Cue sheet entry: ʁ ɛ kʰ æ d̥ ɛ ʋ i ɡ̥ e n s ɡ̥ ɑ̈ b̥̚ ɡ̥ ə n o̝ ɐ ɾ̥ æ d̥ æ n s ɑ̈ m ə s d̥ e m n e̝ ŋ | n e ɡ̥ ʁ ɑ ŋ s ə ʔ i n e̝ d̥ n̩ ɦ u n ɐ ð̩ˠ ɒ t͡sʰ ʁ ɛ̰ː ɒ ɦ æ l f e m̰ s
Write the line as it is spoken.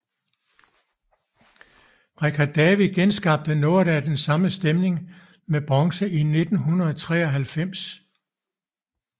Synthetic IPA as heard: ʁ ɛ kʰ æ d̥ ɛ ʋ i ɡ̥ e n s ɡ̥ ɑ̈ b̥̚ d̥ ə n o̝ ɐ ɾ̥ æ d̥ e n s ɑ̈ m ə s d̥ e m n e̝ ŋ | m e b̥ ʁ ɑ ŋ s ə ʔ i n e̝ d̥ n̩ ɦ u n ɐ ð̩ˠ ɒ t͡sʰ ʁ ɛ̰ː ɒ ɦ æ l f e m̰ s